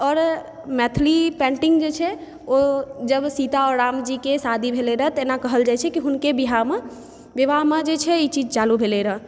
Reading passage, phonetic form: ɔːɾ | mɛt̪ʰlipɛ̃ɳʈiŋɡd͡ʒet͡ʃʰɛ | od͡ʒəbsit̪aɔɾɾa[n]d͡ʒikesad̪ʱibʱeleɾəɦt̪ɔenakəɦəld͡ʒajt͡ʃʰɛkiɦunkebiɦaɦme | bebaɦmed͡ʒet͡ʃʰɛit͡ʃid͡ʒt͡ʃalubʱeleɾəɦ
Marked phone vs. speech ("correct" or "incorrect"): incorrect